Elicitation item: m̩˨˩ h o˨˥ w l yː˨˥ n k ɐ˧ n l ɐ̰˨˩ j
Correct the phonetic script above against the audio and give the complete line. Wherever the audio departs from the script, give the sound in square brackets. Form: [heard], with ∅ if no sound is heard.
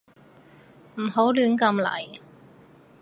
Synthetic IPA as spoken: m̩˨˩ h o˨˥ w l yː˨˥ n k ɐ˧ [m] l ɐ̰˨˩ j